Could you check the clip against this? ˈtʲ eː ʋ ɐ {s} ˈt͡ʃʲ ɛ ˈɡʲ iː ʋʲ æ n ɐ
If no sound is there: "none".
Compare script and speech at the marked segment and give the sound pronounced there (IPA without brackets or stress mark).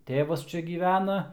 s